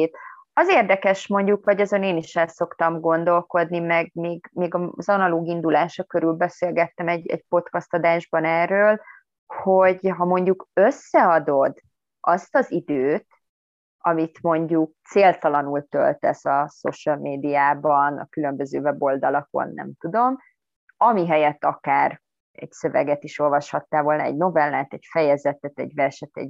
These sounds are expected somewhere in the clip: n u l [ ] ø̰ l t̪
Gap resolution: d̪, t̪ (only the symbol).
t̪